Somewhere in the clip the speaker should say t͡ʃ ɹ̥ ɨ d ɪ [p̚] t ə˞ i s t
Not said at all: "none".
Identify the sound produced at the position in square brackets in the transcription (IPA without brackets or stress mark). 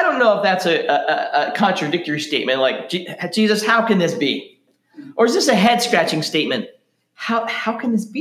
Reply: k̚